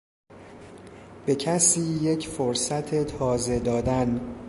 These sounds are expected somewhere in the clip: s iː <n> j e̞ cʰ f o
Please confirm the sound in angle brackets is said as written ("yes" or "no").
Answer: no